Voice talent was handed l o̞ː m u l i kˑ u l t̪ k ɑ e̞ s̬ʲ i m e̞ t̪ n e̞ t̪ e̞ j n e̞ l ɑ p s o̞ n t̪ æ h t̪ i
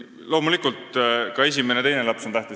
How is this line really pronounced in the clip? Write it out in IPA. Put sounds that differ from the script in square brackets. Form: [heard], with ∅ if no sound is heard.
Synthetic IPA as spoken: l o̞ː m u l i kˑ u l t̪ k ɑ e̞ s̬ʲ i m e̞ [∅] n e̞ t̪ e̞ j n e̞ l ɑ p s o̞ n t̪ æ h t̪ i